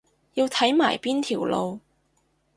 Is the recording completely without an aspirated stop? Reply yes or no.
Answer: no